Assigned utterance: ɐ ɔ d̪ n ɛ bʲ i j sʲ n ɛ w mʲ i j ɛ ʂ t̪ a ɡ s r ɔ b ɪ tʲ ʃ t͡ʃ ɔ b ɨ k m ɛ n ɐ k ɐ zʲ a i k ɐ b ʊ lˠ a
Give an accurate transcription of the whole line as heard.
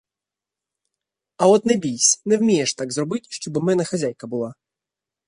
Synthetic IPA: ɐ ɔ t̪ n ɛ bʲ i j sʲ n ɛ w mʲ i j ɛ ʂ t̪ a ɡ z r ɔ b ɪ tʲ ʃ t͡ʃ ɔ b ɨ m ɛ n ɐ x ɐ zʲ a j k ɐ b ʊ lˠ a